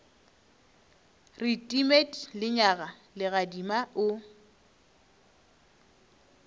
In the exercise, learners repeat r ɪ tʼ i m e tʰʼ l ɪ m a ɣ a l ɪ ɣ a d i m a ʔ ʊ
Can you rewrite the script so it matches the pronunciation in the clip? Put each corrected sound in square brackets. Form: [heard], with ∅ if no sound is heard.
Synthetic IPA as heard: r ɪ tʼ i m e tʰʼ l ɪ [ɲ] a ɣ a l ɪ ɣ a d i m a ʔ ʊ